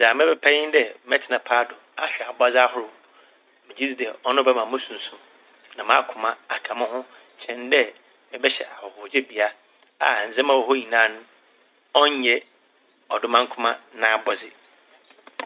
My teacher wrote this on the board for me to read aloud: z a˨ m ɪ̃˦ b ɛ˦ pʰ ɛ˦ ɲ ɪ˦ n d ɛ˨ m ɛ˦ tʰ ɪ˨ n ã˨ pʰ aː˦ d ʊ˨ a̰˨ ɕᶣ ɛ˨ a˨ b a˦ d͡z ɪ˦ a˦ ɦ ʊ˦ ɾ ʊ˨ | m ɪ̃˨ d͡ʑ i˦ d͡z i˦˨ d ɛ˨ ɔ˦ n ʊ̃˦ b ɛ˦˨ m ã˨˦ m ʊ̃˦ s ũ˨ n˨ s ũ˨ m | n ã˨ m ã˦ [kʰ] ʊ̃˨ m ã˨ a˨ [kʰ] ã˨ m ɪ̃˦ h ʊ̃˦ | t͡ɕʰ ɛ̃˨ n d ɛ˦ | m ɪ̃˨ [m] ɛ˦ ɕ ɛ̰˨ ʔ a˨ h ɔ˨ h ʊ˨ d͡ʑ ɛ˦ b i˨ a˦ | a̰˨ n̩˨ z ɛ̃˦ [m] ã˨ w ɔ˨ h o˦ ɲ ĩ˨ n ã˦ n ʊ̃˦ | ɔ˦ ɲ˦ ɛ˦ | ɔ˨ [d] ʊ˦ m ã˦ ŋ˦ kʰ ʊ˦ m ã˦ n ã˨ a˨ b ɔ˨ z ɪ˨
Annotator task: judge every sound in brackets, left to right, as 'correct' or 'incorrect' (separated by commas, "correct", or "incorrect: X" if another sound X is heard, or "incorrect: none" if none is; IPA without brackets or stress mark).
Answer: correct, correct, incorrect: b, correct, correct